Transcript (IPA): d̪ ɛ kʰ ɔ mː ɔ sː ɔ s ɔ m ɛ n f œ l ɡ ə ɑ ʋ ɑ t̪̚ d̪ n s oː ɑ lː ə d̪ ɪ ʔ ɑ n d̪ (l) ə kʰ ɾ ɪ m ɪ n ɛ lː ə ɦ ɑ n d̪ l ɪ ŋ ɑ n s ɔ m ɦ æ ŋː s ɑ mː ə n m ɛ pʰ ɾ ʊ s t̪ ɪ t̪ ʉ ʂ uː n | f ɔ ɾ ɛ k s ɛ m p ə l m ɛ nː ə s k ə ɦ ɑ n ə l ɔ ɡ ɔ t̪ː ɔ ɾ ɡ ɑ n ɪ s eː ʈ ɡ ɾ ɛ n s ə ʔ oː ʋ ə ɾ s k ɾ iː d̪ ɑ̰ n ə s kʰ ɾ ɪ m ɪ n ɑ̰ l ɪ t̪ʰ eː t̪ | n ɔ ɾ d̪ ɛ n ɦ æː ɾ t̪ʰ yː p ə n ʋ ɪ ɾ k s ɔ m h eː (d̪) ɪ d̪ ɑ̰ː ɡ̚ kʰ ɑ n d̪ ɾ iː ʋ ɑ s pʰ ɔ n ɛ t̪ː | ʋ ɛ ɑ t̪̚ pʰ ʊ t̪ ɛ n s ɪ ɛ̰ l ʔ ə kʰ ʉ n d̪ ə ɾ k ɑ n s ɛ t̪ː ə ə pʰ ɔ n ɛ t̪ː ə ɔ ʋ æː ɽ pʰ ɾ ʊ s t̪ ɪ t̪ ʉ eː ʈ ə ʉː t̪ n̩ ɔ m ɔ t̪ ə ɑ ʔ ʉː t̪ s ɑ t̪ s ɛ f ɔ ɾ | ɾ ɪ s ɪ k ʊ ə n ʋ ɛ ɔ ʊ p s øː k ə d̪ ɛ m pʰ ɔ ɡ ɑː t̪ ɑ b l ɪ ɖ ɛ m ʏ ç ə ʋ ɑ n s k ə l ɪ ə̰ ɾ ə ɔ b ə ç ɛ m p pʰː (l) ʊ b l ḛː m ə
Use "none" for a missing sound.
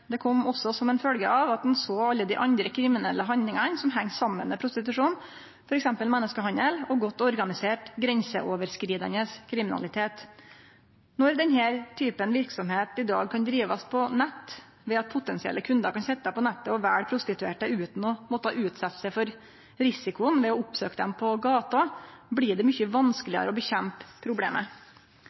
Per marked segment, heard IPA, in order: ɾ, t̪, ɾ

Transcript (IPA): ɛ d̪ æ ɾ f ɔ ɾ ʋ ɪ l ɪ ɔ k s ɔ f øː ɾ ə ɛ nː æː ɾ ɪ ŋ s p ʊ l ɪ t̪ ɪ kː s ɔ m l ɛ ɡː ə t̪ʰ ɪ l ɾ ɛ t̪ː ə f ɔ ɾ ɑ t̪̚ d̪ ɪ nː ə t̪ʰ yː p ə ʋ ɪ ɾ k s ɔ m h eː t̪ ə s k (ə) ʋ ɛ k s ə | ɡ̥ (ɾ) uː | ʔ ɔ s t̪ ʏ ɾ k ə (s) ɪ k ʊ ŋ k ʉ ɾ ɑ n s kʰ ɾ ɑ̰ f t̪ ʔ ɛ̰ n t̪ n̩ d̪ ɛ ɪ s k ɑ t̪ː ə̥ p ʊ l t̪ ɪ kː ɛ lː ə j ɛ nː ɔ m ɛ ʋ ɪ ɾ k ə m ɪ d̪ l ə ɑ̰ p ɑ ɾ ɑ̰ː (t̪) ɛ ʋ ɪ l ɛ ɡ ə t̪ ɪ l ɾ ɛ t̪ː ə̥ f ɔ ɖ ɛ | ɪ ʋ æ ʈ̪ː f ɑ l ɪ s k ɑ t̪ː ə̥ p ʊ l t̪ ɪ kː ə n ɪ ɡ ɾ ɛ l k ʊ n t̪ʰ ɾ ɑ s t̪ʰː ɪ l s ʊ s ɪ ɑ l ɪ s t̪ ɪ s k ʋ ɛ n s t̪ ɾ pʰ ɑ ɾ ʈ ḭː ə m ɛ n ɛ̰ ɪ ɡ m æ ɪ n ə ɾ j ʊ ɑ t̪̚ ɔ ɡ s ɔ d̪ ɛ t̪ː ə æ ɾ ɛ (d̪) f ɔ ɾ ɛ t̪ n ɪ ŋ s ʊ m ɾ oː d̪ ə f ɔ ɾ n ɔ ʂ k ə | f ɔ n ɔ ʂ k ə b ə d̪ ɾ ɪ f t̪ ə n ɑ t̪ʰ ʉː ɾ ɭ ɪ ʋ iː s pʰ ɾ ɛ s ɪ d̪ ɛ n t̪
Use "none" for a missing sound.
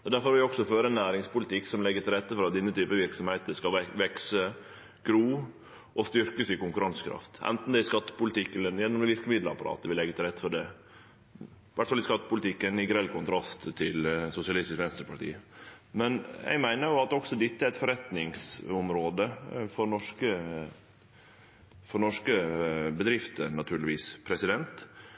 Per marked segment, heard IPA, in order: ɑ, ɾ, s, t̪, t̪

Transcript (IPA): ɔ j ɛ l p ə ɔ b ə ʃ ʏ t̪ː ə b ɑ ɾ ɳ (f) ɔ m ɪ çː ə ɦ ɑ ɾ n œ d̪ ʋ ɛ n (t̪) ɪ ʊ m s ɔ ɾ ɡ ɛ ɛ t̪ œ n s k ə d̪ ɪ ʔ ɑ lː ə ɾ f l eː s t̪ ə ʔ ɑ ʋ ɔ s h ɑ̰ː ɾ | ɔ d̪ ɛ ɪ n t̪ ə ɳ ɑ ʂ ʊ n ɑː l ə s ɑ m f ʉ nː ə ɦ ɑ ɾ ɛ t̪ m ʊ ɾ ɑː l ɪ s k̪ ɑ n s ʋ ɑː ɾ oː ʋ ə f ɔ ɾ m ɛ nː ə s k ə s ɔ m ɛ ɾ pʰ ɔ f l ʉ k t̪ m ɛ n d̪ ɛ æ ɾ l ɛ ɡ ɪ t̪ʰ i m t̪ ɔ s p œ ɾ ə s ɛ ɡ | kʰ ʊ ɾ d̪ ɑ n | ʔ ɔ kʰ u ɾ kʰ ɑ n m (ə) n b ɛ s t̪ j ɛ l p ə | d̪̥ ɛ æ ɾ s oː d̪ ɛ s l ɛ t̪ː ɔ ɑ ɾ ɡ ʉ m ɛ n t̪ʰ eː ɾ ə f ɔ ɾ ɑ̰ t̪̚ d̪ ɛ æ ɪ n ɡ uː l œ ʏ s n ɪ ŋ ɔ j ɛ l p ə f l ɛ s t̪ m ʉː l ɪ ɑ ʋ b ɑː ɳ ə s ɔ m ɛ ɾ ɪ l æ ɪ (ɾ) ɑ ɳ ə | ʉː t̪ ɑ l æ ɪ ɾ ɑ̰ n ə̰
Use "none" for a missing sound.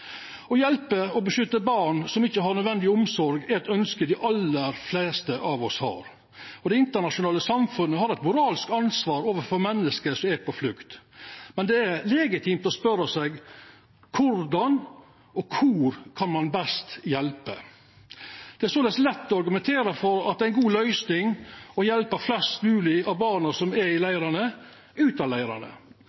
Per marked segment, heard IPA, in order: s, d̪, ɑ, ɾ

